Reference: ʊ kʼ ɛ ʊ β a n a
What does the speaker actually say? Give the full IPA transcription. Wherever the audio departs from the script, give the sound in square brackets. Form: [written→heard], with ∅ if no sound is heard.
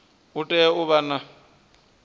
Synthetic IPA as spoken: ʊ [kʼ→tʼ] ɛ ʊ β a n a